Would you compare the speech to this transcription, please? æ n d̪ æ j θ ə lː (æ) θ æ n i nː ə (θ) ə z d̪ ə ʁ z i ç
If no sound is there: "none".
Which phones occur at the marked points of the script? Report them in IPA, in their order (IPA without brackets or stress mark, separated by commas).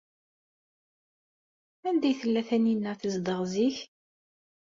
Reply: æ, θ